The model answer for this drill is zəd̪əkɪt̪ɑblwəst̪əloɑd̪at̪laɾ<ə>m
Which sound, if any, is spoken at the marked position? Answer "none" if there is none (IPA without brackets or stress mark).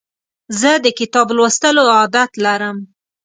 ə